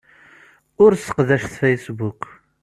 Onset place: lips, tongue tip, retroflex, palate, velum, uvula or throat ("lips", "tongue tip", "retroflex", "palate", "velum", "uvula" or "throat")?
tongue tip